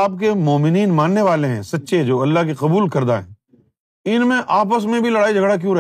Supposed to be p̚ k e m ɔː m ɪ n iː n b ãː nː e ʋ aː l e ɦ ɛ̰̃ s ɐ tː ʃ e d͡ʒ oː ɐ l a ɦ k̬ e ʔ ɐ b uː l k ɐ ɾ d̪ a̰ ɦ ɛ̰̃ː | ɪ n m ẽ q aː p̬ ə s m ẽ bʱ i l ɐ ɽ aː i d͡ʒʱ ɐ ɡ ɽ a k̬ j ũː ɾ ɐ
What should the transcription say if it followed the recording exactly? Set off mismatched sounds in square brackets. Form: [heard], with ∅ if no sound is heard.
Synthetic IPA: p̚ k e m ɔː m ɪ n iː n [m] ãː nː e ʋ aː l e ɦ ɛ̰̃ s ɐ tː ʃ e d͡ʒ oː ɐ [lː] a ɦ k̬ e [q] ɐ b uː l k ɐ ɾ d̪ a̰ ɦ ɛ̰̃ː | ɪ n m ẽ [ʔ] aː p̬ ə s m ẽ bʱ i l ɐ ɽ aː i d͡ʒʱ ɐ ɡ ɽ a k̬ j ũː ɾ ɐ